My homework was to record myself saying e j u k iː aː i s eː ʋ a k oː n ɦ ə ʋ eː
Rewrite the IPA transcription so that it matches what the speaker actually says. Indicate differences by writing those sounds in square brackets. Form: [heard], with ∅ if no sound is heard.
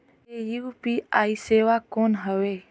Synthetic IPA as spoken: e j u [p] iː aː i s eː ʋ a k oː n ɦ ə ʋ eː